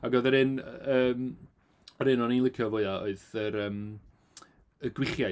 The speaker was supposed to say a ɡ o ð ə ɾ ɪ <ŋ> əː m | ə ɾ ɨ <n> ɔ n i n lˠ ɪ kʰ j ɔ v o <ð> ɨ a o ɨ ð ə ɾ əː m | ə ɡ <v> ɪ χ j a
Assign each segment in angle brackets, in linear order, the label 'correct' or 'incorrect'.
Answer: incorrect: n, correct, incorrect: none, incorrect: w

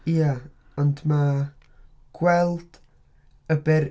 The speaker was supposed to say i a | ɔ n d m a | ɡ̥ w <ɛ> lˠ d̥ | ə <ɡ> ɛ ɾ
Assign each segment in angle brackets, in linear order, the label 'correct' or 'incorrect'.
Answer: correct, incorrect: b

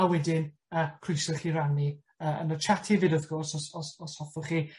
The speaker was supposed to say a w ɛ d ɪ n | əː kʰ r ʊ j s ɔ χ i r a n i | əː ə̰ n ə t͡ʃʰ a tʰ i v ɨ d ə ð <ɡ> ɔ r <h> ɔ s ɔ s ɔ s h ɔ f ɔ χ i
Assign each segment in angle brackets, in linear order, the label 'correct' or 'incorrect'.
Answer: correct, incorrect: s

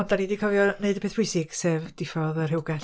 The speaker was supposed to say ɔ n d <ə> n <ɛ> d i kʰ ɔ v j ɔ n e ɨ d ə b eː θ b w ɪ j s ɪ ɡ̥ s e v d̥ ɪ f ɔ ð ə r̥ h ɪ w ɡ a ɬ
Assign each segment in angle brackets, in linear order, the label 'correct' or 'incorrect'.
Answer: incorrect: a, incorrect: i

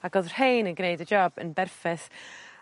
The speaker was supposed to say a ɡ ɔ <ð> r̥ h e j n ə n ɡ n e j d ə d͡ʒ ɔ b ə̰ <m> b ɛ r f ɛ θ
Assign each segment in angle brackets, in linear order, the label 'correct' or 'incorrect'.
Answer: correct, incorrect: n

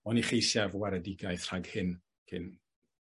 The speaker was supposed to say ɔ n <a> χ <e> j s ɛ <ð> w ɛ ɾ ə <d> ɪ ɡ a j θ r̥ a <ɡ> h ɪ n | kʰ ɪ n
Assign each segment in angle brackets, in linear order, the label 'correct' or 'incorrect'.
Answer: incorrect: i, correct, incorrect: v, correct, correct

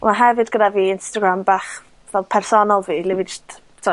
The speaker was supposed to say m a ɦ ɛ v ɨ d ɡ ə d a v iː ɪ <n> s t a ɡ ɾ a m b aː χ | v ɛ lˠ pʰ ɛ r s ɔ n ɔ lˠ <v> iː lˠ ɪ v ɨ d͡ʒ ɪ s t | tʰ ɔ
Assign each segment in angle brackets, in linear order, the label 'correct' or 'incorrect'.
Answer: correct, correct

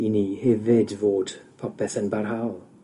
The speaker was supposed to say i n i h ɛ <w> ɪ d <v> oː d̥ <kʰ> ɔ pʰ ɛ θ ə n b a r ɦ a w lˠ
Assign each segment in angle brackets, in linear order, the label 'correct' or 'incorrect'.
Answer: incorrect: v, correct, incorrect: pʰ

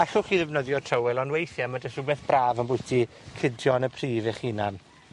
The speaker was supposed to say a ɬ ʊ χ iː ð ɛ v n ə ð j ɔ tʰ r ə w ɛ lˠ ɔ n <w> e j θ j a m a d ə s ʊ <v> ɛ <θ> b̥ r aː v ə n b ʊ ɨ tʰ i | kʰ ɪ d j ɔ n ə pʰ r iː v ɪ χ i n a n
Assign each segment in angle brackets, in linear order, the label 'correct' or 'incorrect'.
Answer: correct, incorrect: b, correct

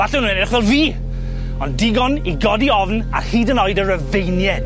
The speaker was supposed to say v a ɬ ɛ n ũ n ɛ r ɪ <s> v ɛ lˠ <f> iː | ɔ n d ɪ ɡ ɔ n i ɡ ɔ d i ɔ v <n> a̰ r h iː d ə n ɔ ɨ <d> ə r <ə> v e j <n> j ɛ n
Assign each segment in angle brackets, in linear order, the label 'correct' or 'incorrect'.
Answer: incorrect: χ, incorrect: v, correct, correct, correct, correct

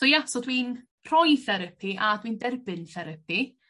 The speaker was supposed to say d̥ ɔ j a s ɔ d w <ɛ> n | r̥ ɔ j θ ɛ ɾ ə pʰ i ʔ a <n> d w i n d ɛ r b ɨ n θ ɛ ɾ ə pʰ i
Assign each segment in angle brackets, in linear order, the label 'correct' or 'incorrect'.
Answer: incorrect: i, incorrect: none

